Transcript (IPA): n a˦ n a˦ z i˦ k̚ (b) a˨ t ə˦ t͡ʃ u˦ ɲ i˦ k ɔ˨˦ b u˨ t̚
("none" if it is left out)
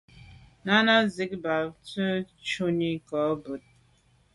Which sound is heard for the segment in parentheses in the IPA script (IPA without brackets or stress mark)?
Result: b